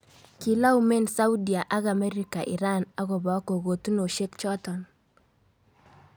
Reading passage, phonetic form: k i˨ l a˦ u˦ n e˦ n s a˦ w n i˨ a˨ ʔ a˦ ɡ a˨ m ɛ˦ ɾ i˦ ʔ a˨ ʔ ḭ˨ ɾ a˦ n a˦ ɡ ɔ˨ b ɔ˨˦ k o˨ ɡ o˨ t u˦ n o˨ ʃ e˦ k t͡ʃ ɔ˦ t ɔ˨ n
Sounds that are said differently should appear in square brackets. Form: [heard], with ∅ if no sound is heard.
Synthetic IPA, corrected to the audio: k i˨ l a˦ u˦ [m] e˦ n s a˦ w [d] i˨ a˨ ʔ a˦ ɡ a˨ m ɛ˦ ɾ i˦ [k] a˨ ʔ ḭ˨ ɾ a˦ n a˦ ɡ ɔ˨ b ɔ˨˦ k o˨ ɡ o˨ t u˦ n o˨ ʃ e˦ k t͡ʃ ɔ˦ t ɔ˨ n

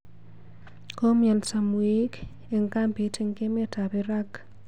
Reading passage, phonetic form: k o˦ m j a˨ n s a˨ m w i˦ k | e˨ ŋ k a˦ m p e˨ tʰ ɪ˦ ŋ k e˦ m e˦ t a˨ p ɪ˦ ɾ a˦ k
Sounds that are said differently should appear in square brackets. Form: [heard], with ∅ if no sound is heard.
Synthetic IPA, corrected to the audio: k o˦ m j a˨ n s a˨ m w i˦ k | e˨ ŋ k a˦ m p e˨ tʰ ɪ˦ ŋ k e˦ m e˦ t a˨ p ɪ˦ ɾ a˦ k

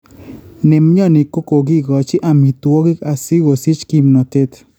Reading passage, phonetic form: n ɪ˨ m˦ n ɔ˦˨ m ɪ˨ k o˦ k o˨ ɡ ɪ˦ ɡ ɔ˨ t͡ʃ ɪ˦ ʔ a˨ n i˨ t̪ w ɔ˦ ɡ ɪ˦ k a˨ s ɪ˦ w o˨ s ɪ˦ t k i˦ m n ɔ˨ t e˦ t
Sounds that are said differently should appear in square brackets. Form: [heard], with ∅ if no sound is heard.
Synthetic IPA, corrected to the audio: n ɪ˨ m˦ [ɲ] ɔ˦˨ [n] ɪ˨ k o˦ k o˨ ɡ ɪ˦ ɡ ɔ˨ t͡ʃ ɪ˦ ʔ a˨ [m] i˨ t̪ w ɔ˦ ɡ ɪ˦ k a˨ s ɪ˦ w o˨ s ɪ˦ [t͡ʃ] k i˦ m n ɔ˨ t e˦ t

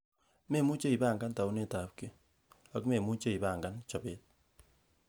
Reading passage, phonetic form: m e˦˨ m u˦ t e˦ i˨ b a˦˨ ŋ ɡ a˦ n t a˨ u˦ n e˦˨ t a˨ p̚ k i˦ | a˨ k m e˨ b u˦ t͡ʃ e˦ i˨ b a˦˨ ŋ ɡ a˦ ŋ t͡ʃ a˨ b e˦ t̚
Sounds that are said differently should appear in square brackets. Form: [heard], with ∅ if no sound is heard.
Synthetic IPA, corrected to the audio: m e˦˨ m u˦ [t͡ʃ] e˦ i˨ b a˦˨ ŋ ɡ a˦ n t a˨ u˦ n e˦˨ t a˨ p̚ k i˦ | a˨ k m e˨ [m] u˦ t͡ʃ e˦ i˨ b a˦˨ ŋ ɡ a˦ [n] t͡ʃ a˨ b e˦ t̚

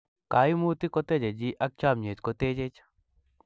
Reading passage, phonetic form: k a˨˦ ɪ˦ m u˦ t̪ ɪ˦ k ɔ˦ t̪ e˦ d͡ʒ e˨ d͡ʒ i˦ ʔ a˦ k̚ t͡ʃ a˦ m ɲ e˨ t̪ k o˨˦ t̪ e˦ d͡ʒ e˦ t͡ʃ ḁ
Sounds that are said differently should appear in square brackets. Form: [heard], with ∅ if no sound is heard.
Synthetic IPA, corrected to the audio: k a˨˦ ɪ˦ m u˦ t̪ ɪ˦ k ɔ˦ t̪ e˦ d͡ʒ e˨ d͡ʒ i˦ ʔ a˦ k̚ t͡ʃ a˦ m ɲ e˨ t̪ k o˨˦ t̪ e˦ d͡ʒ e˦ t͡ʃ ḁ

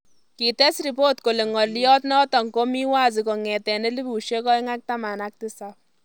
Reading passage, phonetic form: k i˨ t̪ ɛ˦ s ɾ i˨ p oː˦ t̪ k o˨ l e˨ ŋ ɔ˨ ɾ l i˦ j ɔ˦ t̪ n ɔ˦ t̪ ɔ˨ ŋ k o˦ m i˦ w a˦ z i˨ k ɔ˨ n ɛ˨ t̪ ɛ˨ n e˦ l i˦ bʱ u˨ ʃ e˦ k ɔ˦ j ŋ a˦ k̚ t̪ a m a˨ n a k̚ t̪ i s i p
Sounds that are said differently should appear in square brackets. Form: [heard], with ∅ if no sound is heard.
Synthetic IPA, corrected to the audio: k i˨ t̪ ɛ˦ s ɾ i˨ p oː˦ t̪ k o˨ l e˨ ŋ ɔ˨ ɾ l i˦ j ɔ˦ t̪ n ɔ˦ t̪ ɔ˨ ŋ k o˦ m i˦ w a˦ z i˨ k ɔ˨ [ŋ] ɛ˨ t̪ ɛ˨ n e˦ l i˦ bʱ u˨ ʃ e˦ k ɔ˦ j ŋ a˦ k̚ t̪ a m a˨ n a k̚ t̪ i s [a] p

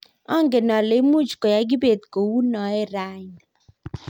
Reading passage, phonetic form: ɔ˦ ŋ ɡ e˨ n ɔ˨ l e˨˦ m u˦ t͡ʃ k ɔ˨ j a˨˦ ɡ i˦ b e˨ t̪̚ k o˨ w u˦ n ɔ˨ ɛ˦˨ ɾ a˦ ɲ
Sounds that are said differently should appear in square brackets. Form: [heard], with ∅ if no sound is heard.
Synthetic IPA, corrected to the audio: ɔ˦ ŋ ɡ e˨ n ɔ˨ l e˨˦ m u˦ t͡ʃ k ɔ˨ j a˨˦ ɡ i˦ b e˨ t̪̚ k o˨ w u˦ n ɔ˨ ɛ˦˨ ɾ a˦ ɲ

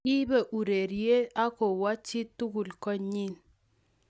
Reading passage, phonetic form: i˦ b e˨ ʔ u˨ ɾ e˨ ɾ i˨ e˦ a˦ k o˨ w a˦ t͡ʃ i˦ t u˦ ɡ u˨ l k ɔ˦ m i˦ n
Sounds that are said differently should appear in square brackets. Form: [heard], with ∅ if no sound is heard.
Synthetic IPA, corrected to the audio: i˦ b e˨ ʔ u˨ ɾ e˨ ɾ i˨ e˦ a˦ k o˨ w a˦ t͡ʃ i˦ t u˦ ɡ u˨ l k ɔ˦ [ɲ] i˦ n

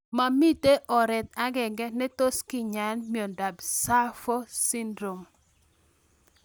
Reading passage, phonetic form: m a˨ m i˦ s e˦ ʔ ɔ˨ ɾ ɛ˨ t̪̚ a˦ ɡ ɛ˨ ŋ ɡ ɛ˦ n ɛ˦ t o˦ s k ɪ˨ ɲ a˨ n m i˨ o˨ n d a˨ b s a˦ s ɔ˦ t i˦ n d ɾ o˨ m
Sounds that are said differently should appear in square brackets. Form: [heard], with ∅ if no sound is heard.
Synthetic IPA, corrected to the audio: m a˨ m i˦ [t] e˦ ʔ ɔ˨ ɾ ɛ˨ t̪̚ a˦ ɡ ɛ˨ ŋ ɡ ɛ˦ n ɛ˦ t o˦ s k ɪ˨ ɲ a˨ n m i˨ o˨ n d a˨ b s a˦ [f] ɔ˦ [s] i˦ n d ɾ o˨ m

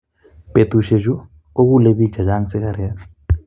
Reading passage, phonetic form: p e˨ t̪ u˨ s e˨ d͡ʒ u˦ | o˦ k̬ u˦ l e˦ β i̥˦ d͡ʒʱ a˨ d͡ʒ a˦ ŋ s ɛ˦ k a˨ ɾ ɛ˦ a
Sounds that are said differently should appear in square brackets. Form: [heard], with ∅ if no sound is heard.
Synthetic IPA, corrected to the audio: p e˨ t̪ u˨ [ʃ] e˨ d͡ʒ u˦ | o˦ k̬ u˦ l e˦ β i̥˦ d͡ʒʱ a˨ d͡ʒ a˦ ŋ s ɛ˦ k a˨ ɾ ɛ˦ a

